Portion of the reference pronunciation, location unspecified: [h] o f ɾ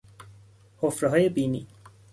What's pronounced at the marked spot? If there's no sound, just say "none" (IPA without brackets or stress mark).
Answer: h